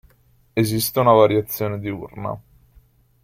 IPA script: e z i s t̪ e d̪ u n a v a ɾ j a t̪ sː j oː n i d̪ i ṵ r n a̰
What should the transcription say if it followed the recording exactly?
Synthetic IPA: e z i s t̪ e u n a v a ɾ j a t̪ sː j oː n e d̪ i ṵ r n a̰